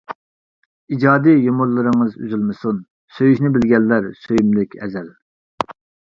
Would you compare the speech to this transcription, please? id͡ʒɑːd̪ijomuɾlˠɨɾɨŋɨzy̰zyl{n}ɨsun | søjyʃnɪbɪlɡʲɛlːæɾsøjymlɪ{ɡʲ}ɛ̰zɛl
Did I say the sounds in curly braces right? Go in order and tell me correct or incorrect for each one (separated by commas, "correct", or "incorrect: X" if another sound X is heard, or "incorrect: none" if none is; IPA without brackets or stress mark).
incorrect: m, incorrect: kʲ